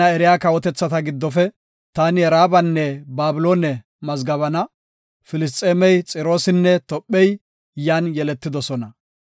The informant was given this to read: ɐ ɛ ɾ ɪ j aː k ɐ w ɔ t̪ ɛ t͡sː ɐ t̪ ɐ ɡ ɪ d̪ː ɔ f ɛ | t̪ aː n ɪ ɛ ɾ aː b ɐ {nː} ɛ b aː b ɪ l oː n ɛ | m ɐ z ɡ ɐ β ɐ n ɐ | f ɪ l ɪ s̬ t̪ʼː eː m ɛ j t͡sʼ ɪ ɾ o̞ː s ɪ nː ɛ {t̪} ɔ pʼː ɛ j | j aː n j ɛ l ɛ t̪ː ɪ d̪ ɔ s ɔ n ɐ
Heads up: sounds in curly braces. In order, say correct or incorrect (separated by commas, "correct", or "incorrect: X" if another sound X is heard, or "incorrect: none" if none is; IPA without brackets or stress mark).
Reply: correct, correct